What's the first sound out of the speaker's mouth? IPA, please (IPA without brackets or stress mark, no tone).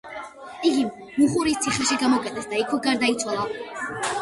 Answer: i